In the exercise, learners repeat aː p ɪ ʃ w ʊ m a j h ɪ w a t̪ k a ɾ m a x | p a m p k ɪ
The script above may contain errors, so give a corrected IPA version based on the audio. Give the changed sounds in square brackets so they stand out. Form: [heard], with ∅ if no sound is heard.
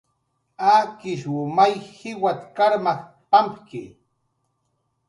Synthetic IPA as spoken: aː [k] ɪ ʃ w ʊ m a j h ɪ w a t̪ k a ɾ m a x | p a m p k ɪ